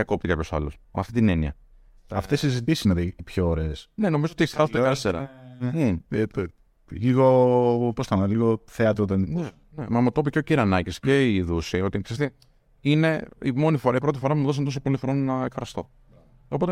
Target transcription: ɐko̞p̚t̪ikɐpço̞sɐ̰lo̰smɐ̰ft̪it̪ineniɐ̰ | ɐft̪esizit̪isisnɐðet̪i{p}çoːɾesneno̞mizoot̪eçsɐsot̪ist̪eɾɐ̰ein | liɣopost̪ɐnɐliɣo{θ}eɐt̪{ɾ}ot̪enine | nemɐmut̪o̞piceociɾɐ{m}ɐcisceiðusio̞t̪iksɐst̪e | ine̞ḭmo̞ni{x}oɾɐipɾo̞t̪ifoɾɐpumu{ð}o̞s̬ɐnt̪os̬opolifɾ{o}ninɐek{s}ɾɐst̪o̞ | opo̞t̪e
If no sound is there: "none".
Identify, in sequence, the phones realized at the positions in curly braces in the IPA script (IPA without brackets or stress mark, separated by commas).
p, θ, ɾ, n, f, ð, o, f